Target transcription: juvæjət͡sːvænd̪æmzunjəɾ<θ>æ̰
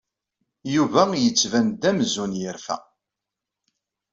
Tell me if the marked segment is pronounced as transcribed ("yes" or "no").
no